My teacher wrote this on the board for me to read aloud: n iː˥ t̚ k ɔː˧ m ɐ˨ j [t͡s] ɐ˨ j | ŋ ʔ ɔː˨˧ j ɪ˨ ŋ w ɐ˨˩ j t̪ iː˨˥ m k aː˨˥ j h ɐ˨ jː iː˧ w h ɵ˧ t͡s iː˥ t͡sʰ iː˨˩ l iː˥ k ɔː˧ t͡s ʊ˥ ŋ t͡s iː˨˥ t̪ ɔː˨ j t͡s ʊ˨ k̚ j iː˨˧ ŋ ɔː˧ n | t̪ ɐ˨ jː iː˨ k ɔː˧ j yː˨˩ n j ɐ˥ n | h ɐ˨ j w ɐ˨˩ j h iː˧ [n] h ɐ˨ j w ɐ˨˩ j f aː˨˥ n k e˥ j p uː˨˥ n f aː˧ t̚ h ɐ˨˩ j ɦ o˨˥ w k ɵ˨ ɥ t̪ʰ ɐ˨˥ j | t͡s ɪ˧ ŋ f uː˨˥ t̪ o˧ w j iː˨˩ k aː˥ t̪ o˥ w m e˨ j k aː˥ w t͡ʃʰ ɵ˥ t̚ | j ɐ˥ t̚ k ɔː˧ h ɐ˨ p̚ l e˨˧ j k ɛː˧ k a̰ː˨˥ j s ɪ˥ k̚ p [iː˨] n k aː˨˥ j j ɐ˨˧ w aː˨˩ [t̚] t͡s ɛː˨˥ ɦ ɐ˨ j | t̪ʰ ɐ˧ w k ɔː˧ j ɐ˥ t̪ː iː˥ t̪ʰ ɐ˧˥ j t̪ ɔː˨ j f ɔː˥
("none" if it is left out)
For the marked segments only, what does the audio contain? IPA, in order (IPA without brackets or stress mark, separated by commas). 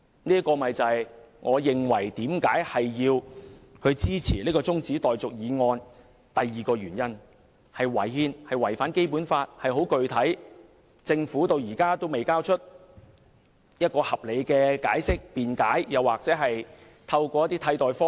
t͡s, n, iː˨, k̚